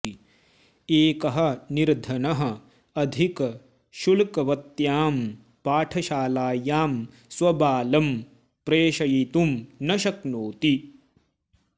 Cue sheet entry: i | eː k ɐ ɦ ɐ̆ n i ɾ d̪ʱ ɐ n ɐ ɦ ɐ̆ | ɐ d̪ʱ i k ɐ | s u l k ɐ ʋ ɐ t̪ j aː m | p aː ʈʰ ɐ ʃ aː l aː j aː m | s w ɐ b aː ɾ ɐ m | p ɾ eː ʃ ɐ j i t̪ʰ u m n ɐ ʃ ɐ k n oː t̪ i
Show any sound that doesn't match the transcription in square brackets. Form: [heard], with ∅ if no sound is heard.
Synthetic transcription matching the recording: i | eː k ɐ ɦ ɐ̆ n i ɾ d̪ʱ ɐ n ɐ ɦ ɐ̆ | ɐ d̪ʱ i k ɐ | [ʃ] u l k ɐ ʋ ɐ t̪ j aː m | p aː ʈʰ ɐ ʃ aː l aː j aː m | s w ɐ b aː [l] ɐ m | p ɾ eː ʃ ɐ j i [t̪] u m n ɐ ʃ ɐ k n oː t̪ i